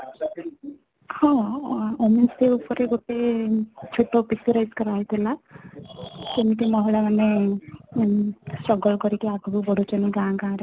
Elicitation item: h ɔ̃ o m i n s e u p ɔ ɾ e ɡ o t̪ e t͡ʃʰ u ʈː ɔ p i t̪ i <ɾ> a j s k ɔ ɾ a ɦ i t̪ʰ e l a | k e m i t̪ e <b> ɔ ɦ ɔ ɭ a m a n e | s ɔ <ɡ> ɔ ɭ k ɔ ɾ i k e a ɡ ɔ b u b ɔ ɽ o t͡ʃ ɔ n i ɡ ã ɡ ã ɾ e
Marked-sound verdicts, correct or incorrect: correct, incorrect: m, correct

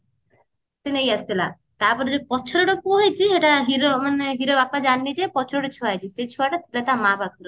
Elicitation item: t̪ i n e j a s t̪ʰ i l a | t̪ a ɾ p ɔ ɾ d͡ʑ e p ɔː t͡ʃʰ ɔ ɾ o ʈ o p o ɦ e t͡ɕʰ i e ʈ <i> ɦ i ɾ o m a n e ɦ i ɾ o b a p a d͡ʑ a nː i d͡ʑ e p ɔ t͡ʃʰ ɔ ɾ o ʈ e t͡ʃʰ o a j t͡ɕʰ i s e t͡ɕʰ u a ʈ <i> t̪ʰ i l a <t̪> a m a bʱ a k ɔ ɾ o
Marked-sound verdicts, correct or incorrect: incorrect: a, incorrect: a, correct

